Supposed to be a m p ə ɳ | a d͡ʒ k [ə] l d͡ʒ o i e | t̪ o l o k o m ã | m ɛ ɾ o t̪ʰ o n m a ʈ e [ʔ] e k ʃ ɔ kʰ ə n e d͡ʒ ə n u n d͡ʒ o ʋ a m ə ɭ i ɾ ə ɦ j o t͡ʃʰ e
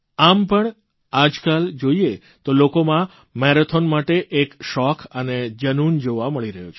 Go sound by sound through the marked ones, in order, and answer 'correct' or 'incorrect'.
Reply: incorrect: a, correct

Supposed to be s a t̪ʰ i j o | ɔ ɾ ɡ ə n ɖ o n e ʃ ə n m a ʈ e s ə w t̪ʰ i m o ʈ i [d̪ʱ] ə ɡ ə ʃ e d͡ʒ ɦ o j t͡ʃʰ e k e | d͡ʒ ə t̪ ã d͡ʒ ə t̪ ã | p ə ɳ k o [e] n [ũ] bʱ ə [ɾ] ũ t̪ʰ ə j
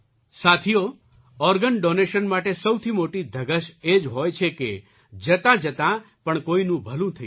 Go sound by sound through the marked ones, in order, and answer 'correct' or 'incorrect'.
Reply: correct, incorrect: i, correct, incorrect: l

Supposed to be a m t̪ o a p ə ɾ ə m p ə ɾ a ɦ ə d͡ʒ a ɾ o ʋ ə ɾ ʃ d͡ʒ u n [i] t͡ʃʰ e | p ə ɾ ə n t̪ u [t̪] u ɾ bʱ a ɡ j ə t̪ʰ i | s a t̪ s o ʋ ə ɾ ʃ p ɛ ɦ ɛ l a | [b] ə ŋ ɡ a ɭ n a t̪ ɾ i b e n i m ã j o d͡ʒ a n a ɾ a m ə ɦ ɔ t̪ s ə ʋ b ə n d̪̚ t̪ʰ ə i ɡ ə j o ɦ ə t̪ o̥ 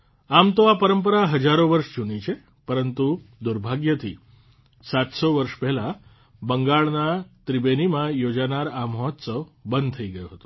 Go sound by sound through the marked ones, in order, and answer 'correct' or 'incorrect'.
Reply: correct, incorrect: d̪, correct

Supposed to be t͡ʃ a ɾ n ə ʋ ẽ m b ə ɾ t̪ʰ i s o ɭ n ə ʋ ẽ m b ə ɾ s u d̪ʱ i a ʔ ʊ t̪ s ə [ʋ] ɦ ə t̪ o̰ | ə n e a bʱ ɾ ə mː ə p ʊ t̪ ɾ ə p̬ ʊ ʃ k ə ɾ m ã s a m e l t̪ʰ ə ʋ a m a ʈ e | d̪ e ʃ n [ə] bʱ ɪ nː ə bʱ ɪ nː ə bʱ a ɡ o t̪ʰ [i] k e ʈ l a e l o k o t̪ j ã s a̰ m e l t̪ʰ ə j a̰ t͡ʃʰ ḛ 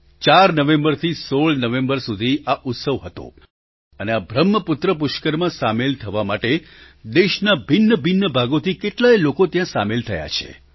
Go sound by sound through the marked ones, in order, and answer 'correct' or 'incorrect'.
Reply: correct, incorrect: a, correct

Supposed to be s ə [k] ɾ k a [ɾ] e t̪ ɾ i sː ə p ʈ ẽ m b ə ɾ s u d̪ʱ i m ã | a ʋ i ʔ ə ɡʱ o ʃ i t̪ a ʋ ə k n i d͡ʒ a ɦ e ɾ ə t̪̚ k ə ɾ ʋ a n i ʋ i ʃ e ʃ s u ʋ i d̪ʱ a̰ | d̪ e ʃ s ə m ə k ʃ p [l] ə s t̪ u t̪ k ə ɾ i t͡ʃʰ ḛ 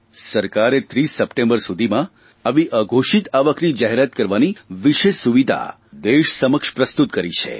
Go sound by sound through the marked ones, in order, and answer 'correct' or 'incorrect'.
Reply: incorrect: none, correct, incorrect: ɾ

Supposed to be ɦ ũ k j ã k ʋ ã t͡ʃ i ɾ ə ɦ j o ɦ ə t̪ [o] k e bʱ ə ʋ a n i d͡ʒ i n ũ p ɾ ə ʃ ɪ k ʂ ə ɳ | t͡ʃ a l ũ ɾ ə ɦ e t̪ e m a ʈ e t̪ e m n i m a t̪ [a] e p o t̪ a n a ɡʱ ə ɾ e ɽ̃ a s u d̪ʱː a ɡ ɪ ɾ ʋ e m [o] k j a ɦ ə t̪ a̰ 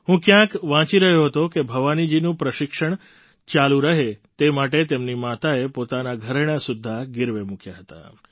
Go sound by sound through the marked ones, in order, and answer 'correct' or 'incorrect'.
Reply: correct, correct, incorrect: u

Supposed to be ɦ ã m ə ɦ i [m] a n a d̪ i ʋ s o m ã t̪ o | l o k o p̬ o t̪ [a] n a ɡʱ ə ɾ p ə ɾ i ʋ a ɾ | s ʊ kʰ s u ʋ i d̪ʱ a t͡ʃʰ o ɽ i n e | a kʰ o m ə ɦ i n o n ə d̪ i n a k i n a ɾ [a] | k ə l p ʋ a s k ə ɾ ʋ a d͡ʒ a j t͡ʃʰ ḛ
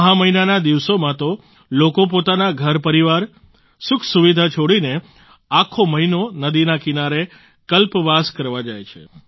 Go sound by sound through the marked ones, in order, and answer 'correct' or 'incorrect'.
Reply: incorrect: n, correct, incorrect: e

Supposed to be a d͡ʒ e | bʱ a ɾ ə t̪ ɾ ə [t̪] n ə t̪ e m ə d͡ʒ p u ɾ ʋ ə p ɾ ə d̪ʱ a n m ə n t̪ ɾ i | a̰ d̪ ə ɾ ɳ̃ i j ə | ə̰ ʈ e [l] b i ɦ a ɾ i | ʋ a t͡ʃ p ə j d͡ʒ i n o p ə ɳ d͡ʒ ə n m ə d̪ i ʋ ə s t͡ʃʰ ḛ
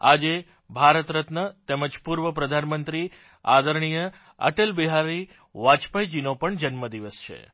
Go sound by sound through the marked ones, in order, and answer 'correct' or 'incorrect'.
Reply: correct, correct

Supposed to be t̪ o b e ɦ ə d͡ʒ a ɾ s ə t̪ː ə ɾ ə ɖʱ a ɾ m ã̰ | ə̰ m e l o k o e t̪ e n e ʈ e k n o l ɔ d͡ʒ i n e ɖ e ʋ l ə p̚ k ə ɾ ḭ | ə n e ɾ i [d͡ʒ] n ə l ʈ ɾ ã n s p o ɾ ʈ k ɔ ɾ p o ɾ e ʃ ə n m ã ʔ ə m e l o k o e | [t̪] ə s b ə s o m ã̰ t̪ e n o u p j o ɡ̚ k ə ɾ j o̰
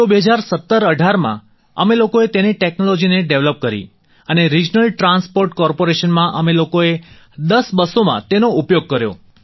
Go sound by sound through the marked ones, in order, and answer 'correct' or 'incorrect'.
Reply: correct, incorrect: d̪

